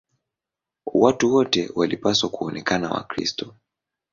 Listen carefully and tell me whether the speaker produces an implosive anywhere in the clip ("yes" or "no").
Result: no